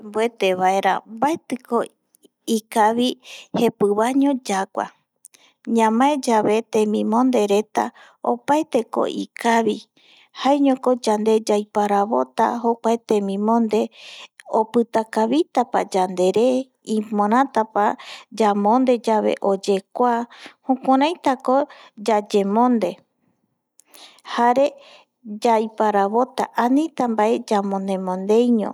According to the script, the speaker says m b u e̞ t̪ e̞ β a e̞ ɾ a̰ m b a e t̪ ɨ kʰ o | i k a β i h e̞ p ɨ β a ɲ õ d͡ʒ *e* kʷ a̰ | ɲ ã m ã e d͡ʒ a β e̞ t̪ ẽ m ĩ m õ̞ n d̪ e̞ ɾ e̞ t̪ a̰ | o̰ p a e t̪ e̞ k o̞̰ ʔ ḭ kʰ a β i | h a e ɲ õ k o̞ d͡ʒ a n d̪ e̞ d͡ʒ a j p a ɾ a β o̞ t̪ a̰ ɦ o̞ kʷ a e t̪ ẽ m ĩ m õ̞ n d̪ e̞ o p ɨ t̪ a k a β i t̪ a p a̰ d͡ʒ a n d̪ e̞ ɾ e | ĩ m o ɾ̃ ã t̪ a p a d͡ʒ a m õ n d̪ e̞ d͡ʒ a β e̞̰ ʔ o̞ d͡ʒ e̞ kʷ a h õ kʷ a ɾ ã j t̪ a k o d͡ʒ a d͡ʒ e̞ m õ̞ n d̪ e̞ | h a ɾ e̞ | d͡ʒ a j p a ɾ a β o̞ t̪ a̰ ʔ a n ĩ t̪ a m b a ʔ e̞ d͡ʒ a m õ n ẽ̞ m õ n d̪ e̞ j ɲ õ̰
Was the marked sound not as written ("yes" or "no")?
yes